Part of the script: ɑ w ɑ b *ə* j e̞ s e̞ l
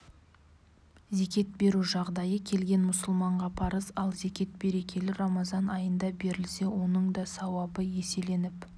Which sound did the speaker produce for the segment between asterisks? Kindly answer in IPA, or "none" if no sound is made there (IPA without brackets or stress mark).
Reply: ə